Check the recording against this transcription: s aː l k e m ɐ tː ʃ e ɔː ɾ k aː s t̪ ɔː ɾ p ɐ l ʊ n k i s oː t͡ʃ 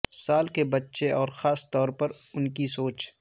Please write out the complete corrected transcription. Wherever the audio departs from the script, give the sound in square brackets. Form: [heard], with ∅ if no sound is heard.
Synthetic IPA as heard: s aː l k e [b] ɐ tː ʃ e ɔː ɾ [x] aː s t̪ ɔː ɾ p ɐ [ɾ] ʊ n k i s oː t͡ʃ

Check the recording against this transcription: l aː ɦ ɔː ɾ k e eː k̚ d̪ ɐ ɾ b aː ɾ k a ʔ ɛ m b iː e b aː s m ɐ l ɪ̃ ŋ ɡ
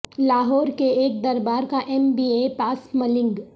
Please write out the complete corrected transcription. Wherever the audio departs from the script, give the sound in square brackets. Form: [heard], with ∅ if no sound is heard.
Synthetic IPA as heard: l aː ɦ ɔː ɾ k e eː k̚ d̪ ɐ ɾ b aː ɾ k a ʔ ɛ m b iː e [p] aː s m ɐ l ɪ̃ ŋ ɡ

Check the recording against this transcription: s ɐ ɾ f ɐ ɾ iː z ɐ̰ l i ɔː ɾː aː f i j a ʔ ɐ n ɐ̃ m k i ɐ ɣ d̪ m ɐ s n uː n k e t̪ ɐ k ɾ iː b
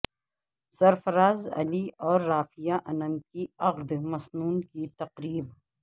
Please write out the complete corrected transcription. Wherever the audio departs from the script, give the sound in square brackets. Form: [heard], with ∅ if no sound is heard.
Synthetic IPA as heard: s ɐ ɾ f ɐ ɾ [aː] z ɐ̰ l i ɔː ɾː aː f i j a ʔ ɐ n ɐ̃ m k i ɐ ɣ d̪ m ɐ s n uː n k [i] t̪ ɐ [q] ɾ iː b

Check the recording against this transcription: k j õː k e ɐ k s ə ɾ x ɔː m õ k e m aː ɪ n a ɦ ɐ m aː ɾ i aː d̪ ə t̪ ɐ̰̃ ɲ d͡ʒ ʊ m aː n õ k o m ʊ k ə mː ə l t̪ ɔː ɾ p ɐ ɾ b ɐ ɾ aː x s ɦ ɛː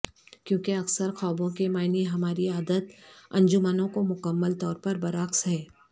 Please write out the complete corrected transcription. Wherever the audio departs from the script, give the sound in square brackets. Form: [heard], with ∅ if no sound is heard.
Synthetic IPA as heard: k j õː k e ɐ k s ə ɾ x ɔː [b] õ k e m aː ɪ n [i] ɦ ɐ m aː ɾ i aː d̪ ə t̪ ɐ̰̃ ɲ d͡ʒ ʊ m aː n õ k o m ʊ k ə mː ə l t̪ ɔː ɾ p ɐ ɾ b ɐ ɾ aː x s ɦ ɛː

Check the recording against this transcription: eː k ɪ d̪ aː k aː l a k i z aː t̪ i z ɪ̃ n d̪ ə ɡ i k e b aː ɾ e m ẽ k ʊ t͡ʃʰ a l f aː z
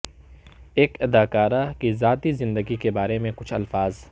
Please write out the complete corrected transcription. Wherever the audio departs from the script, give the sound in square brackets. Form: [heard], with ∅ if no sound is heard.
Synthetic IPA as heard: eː k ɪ d̪ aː k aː [ɾ] a k i z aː t̪ i z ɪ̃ n d̪ ə ɡ i k e b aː ɾ e m ẽ k ʊ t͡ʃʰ [ɐ] l f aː z

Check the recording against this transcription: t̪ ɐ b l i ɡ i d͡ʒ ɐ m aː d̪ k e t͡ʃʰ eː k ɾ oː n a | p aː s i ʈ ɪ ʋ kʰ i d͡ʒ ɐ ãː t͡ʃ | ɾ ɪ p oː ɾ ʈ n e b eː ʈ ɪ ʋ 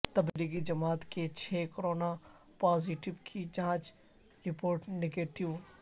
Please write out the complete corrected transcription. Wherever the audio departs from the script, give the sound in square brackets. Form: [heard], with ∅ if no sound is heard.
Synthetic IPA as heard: t̪ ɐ b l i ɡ i d͡ʒ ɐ m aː [t̪] k e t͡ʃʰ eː k ɾ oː n a | p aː [z] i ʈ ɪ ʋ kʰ i d͡ʒ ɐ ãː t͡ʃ | ɾ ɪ p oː ɾ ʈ n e [ɡ] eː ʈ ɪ ʋ

